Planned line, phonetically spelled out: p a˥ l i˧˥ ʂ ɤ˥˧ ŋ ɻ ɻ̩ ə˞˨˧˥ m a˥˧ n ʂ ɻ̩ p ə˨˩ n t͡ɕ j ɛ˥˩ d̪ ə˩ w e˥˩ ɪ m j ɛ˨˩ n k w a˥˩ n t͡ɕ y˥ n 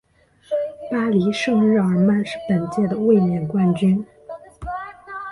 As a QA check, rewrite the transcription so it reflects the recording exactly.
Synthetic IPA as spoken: p a˥ l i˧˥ ʂ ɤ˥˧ ŋ ɻ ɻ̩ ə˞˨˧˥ m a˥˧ n ʂ ɻ̩ p ə˨˩ n t͡ɕ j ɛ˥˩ d̪ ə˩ w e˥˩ ɪ m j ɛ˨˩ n k w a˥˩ n t͡ɕ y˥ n